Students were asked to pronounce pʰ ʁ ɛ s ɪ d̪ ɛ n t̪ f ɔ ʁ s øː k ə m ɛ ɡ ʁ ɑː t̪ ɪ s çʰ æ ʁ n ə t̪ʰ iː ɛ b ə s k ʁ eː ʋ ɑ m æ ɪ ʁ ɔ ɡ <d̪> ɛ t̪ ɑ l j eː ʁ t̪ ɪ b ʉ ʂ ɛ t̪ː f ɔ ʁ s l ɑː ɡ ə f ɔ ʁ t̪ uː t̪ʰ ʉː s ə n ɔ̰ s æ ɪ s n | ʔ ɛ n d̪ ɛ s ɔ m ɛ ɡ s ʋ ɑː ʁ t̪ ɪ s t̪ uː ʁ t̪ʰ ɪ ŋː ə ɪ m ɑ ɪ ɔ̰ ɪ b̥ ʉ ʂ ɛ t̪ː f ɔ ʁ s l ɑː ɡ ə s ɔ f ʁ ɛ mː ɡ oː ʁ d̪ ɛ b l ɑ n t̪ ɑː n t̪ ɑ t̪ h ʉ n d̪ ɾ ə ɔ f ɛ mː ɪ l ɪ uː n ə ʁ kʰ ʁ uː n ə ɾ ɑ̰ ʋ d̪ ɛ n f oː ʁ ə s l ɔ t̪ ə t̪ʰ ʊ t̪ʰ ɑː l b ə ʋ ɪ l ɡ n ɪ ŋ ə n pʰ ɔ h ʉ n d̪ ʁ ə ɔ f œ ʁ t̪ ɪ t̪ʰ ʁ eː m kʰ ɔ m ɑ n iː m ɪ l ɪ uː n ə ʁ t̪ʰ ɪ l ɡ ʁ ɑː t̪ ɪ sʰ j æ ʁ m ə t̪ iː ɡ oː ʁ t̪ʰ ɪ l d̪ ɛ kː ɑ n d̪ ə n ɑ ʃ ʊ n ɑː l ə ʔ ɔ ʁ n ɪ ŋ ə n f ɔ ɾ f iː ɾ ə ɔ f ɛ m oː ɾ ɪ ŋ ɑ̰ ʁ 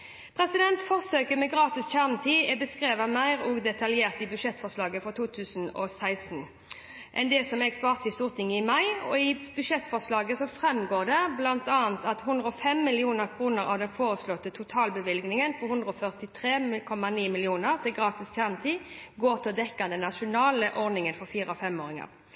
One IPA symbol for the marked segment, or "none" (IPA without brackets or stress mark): d̪